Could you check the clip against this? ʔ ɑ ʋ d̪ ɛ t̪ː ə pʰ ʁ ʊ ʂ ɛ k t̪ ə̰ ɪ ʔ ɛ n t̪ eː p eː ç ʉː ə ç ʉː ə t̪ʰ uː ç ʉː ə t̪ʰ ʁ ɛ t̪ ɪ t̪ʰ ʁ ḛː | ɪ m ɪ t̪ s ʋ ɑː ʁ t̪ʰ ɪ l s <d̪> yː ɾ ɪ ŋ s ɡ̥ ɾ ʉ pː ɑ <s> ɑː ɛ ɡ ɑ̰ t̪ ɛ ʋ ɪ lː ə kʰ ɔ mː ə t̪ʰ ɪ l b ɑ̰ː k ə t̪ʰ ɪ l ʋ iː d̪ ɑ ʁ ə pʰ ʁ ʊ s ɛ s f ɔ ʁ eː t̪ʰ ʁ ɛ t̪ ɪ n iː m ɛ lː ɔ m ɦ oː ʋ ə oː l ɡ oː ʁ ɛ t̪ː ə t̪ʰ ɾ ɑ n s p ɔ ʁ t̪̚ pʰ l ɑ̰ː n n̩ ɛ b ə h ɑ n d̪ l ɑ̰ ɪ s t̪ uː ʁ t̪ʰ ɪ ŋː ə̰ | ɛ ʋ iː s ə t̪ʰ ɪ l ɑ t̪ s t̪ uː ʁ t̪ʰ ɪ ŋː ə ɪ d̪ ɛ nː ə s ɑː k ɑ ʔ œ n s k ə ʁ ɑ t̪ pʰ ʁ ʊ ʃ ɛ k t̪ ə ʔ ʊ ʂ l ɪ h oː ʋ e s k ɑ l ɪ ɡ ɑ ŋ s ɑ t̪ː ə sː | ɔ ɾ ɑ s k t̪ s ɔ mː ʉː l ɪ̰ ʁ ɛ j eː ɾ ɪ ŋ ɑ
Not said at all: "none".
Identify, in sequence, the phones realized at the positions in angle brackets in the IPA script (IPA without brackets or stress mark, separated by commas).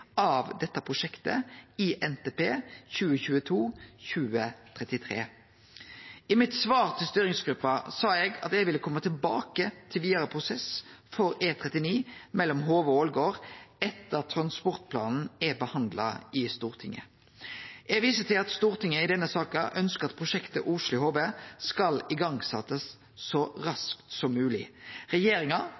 t̪, s